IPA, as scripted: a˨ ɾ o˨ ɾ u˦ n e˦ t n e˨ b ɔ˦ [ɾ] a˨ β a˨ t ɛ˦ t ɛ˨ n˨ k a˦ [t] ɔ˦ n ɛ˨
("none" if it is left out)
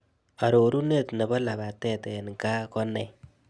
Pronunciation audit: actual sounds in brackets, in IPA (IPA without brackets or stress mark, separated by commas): l, k